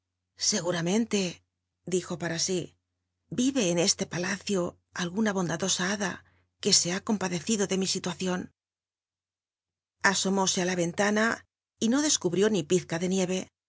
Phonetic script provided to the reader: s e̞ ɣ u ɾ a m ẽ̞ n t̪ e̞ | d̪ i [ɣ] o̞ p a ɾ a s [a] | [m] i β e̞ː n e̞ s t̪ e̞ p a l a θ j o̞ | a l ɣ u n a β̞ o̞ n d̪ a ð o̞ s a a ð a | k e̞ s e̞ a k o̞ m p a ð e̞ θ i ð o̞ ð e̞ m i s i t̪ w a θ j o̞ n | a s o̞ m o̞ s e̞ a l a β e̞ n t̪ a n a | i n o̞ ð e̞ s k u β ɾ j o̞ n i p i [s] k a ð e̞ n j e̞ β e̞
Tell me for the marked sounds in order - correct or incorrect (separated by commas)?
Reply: incorrect, incorrect, incorrect, incorrect